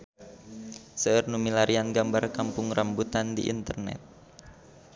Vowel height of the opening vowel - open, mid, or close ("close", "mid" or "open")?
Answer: mid